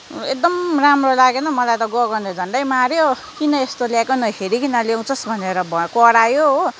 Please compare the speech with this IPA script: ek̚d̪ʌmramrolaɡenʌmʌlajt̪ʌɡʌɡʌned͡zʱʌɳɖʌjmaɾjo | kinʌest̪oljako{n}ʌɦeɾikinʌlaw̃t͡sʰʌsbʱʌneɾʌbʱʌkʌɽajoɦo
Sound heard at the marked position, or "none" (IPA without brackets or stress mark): n